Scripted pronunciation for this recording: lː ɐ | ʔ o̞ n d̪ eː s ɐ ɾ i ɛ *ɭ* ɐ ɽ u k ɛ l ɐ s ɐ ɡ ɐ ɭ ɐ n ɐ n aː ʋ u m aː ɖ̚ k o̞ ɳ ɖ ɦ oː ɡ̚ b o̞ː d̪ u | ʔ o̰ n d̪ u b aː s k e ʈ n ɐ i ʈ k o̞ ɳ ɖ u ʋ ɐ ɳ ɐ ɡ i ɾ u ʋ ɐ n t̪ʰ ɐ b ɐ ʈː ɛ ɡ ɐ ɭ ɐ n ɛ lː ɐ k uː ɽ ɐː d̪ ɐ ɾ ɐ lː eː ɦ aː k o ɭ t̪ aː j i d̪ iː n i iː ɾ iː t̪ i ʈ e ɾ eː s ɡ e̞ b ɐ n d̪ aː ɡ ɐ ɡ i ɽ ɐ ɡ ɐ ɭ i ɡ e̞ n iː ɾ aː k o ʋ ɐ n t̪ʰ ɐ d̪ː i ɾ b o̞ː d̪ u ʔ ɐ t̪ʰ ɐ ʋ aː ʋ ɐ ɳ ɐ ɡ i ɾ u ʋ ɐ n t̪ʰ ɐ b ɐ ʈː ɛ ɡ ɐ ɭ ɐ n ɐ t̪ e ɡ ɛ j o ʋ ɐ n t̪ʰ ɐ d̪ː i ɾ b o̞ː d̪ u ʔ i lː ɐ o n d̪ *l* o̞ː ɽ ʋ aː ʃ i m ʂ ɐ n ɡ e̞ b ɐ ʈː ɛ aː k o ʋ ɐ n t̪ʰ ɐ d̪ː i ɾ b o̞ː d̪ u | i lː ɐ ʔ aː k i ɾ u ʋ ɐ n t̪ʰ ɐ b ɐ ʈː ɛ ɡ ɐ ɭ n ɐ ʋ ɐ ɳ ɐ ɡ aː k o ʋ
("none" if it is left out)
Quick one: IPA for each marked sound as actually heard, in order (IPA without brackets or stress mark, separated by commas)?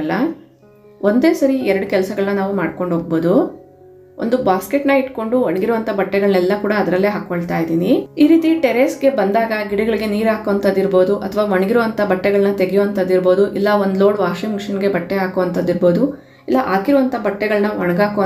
ɾ, l